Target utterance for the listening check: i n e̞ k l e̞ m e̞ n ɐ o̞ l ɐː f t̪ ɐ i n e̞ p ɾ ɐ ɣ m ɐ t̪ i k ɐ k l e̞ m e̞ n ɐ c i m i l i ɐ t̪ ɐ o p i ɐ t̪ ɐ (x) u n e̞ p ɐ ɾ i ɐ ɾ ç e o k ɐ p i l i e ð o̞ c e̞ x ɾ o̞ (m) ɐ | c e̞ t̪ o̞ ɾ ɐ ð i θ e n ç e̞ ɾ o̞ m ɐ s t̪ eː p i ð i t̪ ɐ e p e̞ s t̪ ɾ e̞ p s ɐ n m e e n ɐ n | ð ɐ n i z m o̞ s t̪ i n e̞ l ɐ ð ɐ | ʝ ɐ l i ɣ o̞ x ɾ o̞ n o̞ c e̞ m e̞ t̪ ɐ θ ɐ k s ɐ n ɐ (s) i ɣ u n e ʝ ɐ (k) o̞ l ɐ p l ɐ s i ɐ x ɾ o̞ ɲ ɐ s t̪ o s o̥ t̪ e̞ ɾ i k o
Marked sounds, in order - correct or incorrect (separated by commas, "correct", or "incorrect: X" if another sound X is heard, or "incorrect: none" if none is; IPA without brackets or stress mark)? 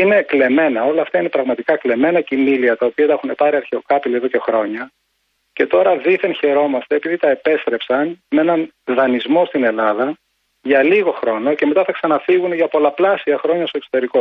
correct, incorrect: ɲ, incorrect: f, incorrect: p